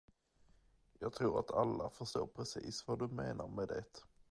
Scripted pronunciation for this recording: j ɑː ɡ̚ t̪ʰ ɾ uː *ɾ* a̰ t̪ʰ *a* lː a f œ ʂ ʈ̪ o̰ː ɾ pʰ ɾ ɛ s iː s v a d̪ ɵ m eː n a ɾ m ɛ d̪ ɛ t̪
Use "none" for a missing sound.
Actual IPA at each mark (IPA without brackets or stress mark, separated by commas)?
ɾ, a